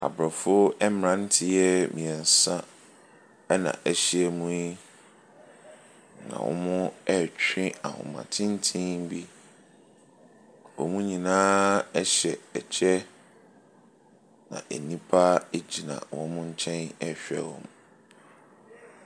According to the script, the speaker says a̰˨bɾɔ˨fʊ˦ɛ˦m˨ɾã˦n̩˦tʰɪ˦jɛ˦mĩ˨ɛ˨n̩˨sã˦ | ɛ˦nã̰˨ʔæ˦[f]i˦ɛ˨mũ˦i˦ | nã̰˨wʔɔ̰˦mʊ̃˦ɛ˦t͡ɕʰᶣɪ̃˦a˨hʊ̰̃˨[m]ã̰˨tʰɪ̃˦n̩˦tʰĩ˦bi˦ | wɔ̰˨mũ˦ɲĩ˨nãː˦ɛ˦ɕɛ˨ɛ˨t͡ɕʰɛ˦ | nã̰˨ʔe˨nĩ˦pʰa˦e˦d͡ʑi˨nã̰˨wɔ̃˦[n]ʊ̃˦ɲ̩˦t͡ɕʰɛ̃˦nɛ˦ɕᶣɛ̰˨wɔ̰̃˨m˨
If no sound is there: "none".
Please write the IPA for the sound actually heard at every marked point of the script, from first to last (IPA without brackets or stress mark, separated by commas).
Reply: ɕ, m, m